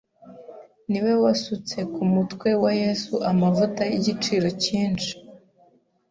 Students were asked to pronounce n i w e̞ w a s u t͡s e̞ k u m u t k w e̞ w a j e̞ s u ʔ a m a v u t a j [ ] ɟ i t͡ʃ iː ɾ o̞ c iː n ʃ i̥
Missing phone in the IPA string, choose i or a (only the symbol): i